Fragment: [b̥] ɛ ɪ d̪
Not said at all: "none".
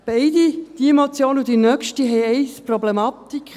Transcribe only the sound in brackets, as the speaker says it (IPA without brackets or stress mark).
b̥